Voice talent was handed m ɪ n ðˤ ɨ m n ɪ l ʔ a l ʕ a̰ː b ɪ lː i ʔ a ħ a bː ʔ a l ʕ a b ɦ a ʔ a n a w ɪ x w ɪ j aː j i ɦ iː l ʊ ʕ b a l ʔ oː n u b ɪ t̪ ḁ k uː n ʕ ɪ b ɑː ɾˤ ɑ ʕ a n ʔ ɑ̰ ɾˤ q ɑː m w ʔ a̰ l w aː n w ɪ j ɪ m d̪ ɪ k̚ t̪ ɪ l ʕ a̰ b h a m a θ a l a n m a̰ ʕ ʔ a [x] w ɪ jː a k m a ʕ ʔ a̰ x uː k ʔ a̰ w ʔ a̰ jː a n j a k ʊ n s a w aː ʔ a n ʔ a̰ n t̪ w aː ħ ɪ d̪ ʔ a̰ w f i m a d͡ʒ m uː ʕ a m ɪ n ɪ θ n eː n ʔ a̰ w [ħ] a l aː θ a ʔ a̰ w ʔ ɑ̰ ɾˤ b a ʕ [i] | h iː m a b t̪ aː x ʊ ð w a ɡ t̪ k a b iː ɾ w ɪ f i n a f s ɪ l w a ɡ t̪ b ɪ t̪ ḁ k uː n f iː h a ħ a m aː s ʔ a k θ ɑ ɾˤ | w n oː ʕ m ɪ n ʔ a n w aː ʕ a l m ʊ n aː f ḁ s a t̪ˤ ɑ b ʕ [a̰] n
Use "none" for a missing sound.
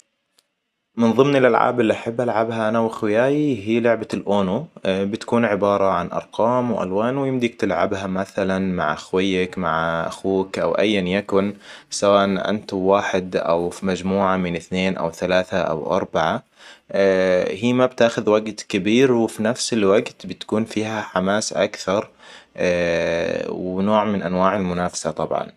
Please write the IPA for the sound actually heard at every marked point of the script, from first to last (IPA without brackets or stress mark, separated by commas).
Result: x, θ, a, ɑ̰